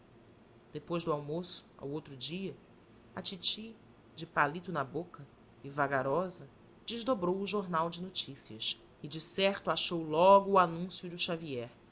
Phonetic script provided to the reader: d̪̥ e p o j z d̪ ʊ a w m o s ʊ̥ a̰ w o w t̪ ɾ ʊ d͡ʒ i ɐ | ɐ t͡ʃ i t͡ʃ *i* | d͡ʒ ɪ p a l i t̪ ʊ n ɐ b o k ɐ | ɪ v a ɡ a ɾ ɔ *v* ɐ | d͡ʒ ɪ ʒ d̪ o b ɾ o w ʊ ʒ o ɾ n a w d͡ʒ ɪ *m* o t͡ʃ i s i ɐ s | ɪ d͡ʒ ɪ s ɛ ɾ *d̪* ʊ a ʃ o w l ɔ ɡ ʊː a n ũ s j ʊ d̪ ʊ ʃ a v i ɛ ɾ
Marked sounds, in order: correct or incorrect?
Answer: correct, incorrect, incorrect, incorrect

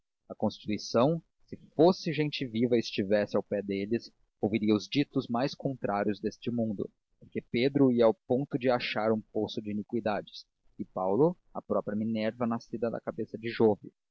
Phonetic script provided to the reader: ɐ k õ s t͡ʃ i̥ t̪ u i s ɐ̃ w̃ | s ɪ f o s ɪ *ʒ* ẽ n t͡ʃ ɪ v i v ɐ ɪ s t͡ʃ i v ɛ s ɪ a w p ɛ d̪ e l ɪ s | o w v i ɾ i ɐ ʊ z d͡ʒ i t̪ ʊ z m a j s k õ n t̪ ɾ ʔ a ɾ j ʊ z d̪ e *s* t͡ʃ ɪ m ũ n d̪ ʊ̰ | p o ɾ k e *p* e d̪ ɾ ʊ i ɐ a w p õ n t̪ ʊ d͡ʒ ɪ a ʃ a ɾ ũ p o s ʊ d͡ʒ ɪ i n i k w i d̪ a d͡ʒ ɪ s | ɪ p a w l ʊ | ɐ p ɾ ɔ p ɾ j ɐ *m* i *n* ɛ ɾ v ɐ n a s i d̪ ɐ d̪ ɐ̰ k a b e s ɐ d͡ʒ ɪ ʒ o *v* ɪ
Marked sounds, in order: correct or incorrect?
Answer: correct, correct, correct, correct, correct, correct

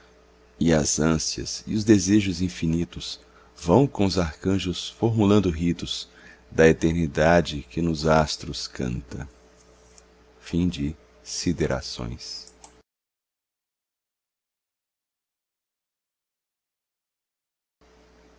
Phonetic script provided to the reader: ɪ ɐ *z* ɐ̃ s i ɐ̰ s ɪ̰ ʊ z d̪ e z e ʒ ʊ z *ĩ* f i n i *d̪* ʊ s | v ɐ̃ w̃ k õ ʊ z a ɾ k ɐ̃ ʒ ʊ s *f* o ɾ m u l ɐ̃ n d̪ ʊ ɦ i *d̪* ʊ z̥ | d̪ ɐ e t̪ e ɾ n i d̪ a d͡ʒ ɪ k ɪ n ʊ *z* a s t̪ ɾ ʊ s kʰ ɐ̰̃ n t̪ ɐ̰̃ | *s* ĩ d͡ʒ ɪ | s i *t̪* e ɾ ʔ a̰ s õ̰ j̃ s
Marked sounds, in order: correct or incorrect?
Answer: correct, correct, incorrect, correct, incorrect, correct, incorrect, incorrect

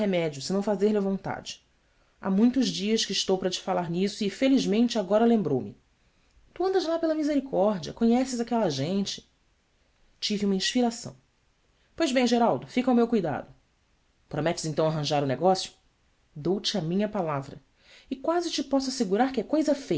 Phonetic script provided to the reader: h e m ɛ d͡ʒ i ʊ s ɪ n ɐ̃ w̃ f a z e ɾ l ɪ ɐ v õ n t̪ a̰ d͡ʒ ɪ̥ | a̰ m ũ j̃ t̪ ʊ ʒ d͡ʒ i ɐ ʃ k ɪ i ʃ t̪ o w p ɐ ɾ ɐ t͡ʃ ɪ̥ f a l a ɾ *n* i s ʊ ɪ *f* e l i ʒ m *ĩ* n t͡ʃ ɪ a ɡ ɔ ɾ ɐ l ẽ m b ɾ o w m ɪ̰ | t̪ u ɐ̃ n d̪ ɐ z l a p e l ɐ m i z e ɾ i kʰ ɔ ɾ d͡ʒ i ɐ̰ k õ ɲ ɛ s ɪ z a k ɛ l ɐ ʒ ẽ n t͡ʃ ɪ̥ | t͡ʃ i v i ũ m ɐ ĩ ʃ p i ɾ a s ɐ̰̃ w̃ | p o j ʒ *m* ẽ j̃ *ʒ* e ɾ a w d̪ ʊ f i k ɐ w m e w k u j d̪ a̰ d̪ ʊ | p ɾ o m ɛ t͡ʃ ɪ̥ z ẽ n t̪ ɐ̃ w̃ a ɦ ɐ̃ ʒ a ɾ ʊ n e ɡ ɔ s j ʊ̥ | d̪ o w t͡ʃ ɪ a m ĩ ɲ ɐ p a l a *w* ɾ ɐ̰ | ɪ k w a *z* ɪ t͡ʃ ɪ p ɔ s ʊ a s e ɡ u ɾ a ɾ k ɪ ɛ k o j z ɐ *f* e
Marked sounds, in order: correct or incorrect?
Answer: correct, correct, incorrect, incorrect, correct, incorrect, correct, correct

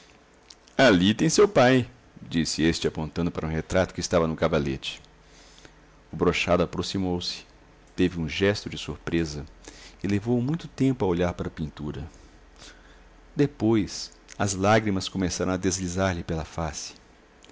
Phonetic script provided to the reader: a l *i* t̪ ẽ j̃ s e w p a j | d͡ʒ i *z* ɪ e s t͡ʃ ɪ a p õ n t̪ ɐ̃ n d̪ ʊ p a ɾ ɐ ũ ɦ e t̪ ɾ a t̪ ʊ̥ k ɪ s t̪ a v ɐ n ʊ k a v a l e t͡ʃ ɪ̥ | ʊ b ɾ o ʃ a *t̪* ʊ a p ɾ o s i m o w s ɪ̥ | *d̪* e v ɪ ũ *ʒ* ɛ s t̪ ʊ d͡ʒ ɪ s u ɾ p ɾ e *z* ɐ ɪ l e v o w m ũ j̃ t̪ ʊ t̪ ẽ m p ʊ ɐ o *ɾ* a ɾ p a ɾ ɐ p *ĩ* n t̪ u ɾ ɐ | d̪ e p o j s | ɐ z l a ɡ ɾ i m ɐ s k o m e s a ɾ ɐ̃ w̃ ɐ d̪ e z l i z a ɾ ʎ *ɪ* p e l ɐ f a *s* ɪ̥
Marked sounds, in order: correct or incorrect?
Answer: correct, incorrect, incorrect, incorrect, correct, correct, incorrect, correct, correct, correct

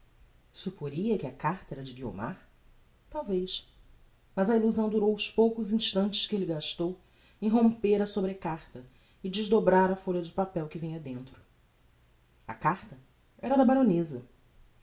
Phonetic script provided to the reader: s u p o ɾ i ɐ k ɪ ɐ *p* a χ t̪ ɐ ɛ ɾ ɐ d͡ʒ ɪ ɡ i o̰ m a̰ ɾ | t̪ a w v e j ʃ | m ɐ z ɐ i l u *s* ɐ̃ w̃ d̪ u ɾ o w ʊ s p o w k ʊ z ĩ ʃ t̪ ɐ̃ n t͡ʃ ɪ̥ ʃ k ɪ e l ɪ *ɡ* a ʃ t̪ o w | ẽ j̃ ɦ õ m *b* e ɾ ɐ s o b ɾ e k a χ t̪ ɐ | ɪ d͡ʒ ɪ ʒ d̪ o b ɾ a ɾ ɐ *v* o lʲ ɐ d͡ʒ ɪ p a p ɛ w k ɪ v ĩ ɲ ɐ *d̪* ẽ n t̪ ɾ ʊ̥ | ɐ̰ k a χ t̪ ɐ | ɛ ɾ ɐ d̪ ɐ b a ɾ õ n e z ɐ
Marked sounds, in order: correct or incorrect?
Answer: incorrect, incorrect, correct, incorrect, incorrect, correct

